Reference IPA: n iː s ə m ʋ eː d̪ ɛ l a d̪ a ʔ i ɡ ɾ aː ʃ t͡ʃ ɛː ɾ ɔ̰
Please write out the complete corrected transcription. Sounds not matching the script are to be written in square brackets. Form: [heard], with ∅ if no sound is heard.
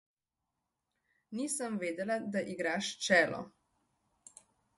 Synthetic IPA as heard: n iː s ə m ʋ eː d̪ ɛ l a d̪ a ʔ i ɡ ɾ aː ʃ t͡ʃ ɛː [l] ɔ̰